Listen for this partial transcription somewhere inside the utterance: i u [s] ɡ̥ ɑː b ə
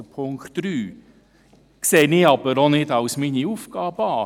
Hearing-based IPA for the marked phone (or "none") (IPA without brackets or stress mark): f